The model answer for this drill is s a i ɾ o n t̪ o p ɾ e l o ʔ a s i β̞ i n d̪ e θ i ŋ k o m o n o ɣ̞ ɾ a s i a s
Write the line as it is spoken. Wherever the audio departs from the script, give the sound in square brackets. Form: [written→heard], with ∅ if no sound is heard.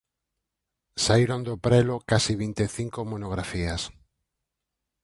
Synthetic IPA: s a i ɾ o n [t̪→d̪] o p ɾ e l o [ʔ→k] a s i β̞ i n [d̪→t̪] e θ i ŋ k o m o n o ɣ̞ ɾ a [s→f] i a s